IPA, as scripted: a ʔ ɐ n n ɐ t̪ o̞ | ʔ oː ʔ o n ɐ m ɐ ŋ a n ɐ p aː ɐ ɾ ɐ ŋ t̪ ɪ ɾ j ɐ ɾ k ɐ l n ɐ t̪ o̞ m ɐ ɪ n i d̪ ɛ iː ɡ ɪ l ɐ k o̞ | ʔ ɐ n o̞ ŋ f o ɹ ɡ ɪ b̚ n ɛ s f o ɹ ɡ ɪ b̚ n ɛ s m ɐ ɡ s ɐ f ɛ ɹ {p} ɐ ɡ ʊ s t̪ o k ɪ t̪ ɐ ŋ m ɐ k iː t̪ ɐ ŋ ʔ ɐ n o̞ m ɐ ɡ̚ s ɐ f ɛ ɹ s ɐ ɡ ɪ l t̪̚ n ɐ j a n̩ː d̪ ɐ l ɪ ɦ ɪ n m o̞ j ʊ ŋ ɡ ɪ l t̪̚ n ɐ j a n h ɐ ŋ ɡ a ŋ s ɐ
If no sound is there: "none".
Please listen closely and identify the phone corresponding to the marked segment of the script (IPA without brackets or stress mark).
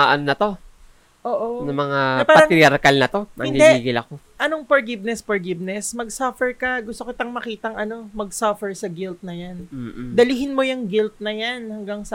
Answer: k